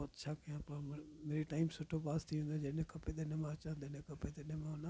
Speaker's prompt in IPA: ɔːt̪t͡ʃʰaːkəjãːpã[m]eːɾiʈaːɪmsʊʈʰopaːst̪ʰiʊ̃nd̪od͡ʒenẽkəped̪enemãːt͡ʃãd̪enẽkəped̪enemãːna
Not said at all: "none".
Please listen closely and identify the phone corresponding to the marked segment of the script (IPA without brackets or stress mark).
m